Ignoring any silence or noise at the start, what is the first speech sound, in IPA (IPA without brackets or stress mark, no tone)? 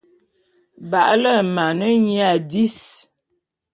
b